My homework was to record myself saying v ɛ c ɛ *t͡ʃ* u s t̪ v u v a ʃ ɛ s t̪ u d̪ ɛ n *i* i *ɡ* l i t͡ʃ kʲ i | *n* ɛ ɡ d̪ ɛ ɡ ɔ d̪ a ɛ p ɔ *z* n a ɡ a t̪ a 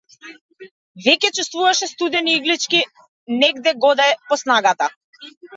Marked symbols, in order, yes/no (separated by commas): yes, yes, yes, yes, no